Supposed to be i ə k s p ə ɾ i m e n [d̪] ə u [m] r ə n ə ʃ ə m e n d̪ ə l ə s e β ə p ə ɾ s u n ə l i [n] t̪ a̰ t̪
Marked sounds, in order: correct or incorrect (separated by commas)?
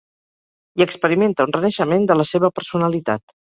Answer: incorrect, incorrect, incorrect